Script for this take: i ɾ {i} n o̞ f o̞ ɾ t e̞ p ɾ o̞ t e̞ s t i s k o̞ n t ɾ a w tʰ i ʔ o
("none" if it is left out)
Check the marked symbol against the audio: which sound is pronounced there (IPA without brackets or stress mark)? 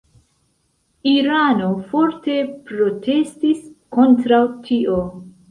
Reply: a